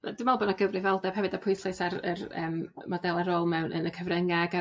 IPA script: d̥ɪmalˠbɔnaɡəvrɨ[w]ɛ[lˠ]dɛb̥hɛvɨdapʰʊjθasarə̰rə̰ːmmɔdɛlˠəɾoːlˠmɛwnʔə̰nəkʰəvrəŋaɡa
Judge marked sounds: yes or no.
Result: no, yes

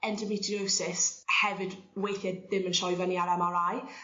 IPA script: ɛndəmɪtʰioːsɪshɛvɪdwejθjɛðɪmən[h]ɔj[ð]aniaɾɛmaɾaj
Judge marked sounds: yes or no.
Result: no, no

